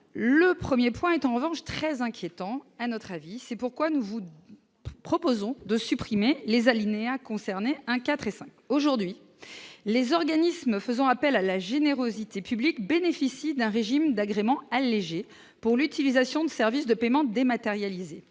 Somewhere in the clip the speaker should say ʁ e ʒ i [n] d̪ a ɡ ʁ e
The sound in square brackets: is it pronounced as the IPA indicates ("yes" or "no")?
no